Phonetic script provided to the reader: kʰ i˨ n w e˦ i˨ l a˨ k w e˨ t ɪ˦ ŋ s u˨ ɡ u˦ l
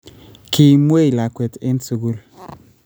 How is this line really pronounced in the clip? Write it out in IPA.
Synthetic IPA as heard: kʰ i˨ m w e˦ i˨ l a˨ k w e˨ t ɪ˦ n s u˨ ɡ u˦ l